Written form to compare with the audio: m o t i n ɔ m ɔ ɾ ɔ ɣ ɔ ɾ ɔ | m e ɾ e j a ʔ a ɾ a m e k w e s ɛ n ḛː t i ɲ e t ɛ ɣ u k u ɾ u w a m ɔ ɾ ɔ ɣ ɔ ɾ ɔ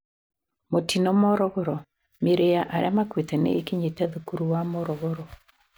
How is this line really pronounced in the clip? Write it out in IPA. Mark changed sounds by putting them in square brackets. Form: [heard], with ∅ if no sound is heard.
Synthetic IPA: m o t i n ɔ m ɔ ɾ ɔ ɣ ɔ ɾ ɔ | m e ɾ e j a ʔ a ɾ a m [a] k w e [t] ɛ n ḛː [k] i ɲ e t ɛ [ð] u k u ɾ u w a m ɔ ɾ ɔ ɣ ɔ ɾ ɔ

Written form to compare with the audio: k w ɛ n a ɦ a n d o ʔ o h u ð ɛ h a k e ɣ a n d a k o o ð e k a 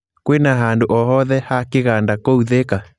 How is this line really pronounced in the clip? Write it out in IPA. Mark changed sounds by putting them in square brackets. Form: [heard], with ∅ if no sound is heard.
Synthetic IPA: k w [e] n a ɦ a n d o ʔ [ɔ] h [ɔ] ð ɛ h a k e ɣ a n d a k o [u] ð e k a

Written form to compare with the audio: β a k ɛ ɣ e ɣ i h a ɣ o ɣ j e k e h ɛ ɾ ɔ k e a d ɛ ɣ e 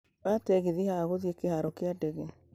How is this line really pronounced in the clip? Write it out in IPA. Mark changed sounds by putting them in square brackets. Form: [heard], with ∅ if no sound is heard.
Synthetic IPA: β a [t] ɛ ɣ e [ð] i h a ɣ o [ð] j e k e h [a] ɾ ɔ k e a d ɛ ɣ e

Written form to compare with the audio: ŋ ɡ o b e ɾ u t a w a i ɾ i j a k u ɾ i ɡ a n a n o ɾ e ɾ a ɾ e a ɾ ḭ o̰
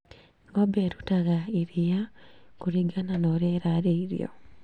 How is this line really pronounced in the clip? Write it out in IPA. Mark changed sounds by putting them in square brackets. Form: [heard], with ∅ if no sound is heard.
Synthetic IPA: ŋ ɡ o b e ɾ u t a [ɣ] a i ɾ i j a k u ɾ i ɡ a n a n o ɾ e ɾ a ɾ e [i] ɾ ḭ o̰

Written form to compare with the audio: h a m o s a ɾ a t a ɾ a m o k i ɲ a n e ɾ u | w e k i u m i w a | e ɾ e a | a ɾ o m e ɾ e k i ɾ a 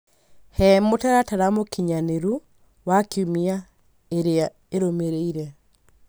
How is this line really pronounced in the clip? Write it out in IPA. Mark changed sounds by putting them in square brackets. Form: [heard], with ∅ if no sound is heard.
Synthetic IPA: h [ɛ] m o [t] a ɾ a t a ɾ a m o k i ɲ a n e ɾ u | w [a] k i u m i [∅] a | e ɾ e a | [e] ɾ o m e ɾ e [∅] i ɾ [ɛ]

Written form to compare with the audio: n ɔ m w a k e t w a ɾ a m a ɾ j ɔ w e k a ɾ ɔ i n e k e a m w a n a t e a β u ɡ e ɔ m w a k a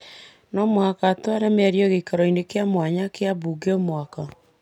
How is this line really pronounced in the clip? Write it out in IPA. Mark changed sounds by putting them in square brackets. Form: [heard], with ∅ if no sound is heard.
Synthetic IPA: n ɔ m w a k [a] t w a ɾ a m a ɾ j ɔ [ɣ] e k a ɾ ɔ i n e k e a m w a [ɲ] a [k] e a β u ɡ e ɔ m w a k a

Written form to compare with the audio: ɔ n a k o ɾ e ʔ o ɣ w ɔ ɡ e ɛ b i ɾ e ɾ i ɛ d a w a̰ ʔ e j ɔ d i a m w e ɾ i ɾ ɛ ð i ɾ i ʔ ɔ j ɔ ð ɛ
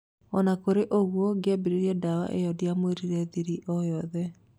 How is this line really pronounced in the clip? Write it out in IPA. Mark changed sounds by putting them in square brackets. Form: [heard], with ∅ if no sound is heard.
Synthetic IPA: ɔ n a k o ɾ e ʔ o ɣ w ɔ ɡ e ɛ b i ɾ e ɾ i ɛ d a w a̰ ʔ e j ɔ d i a m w e ɾ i ɾ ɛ ð i ɾ i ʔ ɔ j ɔ ð ɛ

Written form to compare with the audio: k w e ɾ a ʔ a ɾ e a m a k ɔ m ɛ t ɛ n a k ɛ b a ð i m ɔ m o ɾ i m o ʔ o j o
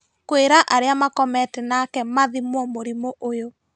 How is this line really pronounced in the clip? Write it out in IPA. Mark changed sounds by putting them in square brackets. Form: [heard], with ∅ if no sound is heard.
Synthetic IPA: k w e ɾ a ʔ a ɾ e a m a k ɔ m ɛ t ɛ n a k ɛ [m] a ð i m ɔ m o ɾ i m o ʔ o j o

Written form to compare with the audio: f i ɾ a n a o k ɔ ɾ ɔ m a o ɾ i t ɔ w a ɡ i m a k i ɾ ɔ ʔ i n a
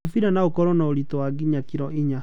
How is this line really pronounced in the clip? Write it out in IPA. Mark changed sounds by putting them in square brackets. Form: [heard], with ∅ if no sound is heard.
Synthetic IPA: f i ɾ a n a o k ɔ ɾ ɔ [n] a o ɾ i t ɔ w a ɡ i [ɲ] a k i ɾ ɔ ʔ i [ɲ] a

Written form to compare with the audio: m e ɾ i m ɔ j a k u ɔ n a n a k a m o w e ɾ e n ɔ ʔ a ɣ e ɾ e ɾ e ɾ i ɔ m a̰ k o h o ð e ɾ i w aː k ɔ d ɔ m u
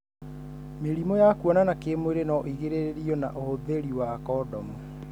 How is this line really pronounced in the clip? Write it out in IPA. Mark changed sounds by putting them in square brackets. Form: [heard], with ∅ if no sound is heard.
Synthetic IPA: m e ɾ i m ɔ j a k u ɔ n a n a k [e] m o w e ɾ e n ɔ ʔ [i] ɣ e ɾ e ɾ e ɾ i ɔ [n] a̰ [ʔ] o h o ð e ɾ i w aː k ɔ d ɔ m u

